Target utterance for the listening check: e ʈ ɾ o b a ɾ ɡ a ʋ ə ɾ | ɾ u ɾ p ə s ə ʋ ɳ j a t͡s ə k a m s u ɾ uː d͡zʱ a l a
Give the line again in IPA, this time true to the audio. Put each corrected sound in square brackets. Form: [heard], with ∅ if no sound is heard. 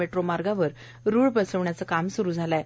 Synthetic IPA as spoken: e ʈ ɾ o [m] a ɾ ɡ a ʋ ə ɾ | ɾ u [ɭ] p ə s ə ʋ ɳ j a t͡s ə k a m s u ɾ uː d͡zʱ a l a

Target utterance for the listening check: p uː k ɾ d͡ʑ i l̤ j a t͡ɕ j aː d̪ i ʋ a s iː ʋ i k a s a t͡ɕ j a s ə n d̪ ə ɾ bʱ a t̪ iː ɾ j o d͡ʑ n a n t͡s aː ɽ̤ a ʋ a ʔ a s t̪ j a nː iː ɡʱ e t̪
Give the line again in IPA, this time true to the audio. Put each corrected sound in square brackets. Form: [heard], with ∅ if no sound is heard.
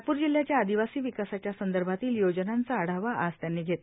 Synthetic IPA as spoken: p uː [∅] ɾ d͡ʑ i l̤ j a t͡ɕ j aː d̪ i ʋ a s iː ʋ i k a s a t͡ɕ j a s ə n d̪ ə ɾ bʱ a t̪ iː [l] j o d͡ʑ n a n t͡s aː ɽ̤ a ʋ a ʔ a s t̪ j a nː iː ɡʱ e t̪

